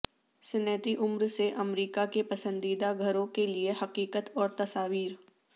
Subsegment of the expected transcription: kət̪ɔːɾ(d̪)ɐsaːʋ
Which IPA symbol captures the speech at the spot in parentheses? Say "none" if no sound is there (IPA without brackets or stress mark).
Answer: t̪